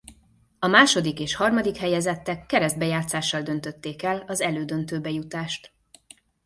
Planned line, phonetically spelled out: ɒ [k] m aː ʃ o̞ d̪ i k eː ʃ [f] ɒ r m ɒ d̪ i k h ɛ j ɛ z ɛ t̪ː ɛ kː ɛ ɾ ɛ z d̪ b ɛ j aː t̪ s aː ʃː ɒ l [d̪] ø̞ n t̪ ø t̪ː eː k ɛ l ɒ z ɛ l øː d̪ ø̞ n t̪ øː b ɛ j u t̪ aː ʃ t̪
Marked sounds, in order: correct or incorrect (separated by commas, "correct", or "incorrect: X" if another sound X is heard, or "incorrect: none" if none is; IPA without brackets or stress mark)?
incorrect: none, incorrect: h, correct